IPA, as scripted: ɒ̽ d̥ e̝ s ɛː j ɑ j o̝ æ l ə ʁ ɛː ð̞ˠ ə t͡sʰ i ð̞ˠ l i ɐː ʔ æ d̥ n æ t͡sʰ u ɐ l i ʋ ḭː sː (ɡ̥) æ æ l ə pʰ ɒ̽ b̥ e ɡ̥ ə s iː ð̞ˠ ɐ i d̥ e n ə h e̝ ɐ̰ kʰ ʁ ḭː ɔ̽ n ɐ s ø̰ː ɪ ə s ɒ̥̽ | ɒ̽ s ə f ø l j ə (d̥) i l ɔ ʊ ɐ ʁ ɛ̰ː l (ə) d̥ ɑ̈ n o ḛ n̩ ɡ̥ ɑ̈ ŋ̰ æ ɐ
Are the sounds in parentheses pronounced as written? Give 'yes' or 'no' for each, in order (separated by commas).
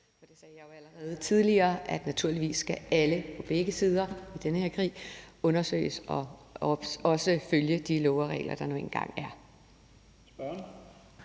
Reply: yes, yes, no